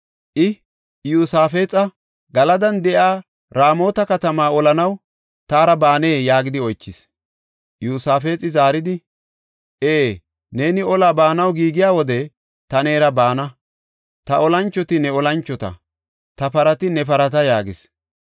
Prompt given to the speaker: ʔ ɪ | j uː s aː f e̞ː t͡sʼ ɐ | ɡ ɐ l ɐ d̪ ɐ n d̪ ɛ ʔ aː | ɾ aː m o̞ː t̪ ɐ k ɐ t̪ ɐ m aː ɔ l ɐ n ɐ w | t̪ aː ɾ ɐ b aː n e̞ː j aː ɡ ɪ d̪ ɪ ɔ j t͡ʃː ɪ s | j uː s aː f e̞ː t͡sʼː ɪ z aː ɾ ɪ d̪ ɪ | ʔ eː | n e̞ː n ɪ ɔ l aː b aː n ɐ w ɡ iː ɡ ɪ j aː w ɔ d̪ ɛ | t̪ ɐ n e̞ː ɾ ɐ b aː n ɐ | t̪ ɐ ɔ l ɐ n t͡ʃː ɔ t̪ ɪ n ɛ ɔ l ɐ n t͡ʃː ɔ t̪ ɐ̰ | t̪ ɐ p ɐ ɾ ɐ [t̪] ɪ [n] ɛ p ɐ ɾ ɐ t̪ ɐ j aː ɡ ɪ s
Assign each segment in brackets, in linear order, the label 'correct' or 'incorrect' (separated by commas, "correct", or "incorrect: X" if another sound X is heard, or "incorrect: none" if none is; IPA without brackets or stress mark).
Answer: correct, correct